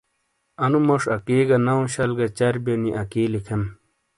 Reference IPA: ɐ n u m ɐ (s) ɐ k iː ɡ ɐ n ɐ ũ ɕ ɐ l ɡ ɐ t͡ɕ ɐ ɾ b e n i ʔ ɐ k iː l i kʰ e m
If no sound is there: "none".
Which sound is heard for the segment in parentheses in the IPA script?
ʂ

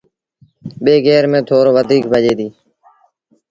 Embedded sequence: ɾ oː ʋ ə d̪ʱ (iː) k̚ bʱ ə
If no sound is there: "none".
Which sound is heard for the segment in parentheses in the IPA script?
iː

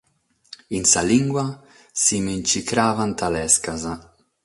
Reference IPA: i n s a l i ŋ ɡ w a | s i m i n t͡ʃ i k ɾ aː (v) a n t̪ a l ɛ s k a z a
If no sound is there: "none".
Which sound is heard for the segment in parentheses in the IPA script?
v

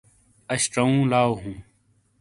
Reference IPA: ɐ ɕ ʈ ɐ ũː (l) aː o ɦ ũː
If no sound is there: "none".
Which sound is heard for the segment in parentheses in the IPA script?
l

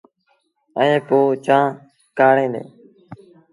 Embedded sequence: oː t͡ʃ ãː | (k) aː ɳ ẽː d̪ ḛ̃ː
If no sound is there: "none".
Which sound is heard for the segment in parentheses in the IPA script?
k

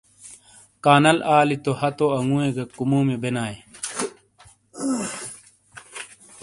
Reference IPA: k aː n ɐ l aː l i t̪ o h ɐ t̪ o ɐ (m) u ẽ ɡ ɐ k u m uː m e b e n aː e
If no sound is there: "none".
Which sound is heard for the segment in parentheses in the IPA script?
ŋ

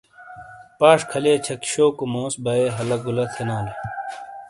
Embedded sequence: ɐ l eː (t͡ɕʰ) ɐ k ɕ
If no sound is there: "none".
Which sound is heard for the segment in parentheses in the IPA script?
t͡ɕʰ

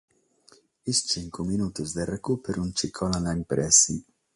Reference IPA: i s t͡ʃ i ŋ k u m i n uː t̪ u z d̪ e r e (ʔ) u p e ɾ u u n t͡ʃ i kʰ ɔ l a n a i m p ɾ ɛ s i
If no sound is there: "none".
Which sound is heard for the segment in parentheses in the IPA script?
k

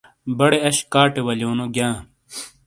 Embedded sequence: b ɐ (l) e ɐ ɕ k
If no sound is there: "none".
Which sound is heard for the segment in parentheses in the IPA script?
ɽ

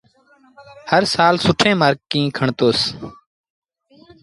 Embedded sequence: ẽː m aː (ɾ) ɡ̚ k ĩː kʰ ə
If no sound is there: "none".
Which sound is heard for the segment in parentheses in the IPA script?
ɾ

